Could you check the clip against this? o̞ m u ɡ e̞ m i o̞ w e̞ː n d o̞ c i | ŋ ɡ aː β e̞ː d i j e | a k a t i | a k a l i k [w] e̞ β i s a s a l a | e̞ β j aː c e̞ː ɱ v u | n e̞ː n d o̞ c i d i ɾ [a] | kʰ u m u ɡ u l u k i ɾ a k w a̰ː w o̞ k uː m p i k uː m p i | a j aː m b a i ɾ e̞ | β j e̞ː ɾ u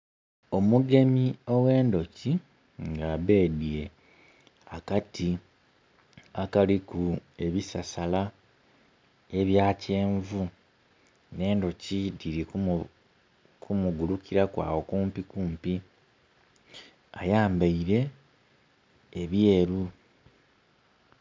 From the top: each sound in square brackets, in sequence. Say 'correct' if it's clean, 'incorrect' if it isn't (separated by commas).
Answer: incorrect, incorrect